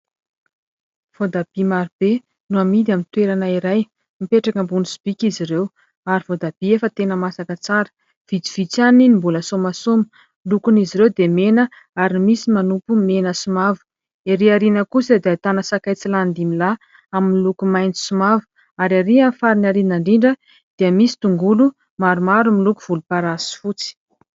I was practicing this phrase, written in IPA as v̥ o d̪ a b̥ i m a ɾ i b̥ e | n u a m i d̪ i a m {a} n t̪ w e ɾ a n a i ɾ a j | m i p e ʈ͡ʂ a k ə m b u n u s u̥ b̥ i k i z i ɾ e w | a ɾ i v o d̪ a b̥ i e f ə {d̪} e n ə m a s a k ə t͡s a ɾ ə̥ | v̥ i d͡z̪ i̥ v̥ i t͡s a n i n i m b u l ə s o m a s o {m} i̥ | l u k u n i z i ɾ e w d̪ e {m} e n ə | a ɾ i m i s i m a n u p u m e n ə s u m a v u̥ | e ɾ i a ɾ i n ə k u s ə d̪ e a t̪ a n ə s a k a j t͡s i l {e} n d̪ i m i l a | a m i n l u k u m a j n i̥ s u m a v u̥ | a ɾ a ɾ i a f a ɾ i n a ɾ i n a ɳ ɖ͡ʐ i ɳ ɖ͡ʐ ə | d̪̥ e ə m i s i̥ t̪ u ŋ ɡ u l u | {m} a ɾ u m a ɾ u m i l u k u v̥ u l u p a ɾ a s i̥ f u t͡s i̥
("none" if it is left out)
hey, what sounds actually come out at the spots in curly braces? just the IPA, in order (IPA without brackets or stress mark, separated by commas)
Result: i, t̪, m, m, a, m